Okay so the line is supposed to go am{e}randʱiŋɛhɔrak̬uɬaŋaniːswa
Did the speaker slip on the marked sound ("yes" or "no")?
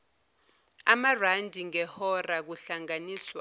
yes